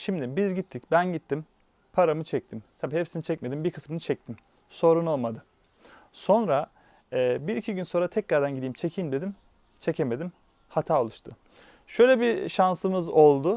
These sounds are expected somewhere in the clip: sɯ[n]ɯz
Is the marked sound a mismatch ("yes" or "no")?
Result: yes